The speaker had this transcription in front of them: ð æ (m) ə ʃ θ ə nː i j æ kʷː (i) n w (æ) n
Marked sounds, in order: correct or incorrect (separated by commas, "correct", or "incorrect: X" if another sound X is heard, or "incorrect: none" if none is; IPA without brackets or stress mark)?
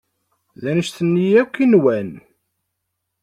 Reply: incorrect: n, correct, correct